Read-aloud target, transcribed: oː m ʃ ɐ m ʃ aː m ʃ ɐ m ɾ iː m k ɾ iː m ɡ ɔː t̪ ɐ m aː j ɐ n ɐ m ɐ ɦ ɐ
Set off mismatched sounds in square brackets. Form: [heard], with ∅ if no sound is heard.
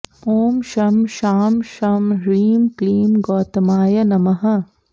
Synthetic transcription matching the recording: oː m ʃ ɐ m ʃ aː m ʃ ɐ m ɾ iː m k [l] iː m ɡ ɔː t̪ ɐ m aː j ɐ n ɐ m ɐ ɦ ɐ